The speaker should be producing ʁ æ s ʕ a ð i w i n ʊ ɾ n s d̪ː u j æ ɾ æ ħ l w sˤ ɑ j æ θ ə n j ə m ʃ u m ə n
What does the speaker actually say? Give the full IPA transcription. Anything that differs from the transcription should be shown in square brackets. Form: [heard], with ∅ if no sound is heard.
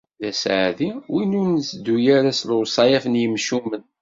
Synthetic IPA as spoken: [ð] æ s ʕ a ð i w i n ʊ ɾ n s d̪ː u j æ ɾ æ [s] l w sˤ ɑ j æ [f] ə n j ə m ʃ u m ə n